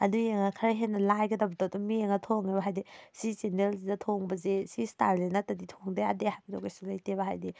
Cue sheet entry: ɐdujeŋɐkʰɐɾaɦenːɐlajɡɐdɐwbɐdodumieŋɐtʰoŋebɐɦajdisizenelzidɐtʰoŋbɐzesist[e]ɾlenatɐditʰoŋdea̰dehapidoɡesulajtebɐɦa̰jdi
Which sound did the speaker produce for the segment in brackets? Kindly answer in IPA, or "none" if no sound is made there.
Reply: a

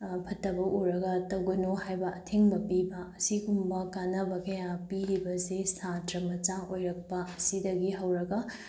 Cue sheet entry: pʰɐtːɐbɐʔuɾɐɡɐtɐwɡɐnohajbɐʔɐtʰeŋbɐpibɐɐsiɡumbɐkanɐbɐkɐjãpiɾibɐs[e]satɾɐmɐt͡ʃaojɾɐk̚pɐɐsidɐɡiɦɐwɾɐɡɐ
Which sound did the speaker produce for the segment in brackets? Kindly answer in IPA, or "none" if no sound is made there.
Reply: e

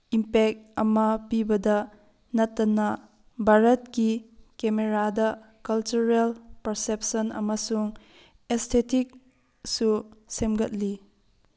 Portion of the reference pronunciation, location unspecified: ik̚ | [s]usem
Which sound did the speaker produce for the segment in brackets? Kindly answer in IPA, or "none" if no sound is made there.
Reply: s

